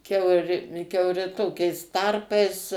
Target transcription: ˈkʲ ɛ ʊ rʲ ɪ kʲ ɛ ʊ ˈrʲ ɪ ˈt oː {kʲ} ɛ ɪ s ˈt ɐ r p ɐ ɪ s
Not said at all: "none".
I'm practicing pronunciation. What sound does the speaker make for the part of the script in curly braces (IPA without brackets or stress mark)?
kʲ